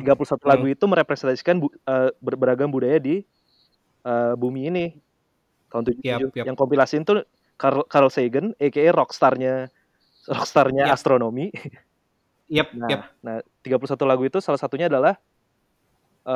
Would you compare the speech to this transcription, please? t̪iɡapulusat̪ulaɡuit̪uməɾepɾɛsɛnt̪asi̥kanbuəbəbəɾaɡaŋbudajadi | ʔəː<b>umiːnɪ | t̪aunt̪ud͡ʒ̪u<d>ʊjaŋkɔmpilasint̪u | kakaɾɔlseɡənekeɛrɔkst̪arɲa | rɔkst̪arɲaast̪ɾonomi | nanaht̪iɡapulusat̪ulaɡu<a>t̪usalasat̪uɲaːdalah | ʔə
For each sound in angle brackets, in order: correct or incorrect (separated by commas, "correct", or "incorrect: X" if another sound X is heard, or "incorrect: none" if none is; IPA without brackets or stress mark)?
correct, incorrect: d͡ʒ, incorrect: i